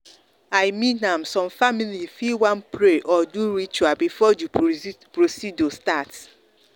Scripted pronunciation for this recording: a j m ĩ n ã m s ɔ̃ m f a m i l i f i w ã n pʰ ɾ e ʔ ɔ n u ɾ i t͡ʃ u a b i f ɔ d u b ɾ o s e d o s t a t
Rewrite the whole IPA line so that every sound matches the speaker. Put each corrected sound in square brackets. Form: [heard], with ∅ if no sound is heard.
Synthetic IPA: a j m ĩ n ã m s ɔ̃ m f a m i l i f i w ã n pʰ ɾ e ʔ ɔ [d] u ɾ i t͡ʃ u a b i f ɔ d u [p] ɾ o s [i] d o s t a t